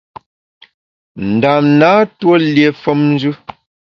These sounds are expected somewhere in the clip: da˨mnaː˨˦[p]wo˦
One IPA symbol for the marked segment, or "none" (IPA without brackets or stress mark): t